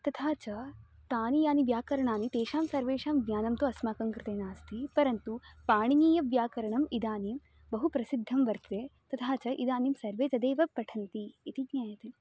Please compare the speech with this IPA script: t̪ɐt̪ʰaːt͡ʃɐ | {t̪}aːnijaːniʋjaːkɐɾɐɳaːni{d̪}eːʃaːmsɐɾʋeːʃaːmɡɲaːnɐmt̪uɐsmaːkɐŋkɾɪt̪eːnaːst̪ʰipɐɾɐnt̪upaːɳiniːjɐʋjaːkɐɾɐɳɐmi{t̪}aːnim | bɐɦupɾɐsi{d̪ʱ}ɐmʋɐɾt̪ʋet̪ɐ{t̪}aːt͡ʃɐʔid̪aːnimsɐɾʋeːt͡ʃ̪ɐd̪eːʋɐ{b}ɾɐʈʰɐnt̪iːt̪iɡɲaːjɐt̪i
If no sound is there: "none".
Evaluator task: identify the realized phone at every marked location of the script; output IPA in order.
t̪, t̪, d̪, d̪ʱː, t̪ʰ, p

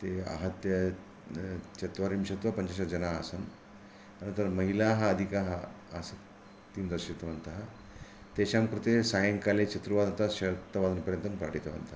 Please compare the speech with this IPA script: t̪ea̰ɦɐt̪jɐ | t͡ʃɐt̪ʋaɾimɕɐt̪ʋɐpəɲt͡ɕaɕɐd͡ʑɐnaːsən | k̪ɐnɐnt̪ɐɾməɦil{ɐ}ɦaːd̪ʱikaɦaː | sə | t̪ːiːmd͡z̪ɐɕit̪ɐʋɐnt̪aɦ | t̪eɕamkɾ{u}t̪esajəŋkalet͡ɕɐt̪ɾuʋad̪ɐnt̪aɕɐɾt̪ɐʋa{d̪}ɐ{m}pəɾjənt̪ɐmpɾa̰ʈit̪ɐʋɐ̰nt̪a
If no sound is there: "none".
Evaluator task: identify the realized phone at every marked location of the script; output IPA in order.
a, u, d̪, n

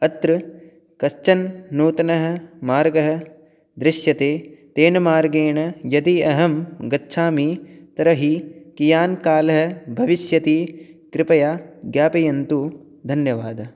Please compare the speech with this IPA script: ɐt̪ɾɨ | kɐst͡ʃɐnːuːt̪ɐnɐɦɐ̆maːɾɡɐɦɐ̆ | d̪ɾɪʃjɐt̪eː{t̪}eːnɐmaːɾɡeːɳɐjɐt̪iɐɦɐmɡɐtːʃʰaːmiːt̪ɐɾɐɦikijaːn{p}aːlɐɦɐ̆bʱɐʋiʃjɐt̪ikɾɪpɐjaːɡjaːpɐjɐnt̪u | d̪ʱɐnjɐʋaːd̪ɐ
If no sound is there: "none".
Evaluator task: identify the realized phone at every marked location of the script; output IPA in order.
t̪, k

